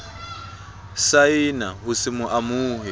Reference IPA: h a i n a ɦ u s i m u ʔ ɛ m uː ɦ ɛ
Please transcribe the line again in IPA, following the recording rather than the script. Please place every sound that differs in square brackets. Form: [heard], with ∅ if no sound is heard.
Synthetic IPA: [s] a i n a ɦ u s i m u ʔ [a] m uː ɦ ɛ